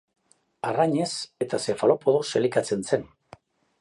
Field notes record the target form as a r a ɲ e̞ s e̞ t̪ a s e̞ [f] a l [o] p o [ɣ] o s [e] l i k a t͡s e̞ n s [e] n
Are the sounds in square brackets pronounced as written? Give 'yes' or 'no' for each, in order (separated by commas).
yes, yes, no, yes, yes